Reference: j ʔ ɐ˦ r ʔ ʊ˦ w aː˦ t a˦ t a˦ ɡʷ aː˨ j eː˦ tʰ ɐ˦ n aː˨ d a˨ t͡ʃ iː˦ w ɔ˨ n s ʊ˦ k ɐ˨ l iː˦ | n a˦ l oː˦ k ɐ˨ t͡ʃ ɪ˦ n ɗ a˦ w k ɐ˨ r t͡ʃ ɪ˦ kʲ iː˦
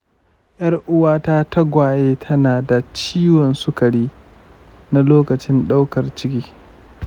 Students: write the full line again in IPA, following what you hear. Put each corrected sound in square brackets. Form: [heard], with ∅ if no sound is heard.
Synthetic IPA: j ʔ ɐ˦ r ʔ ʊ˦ w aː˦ t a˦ t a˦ ɡʷ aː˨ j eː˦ tʰ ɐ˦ n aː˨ d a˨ t͡ʃ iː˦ w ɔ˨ n s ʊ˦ k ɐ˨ [ɽ] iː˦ | n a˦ l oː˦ k ɐ˨ t͡ʃ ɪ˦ n ɗ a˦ w k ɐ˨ r t͡ʃ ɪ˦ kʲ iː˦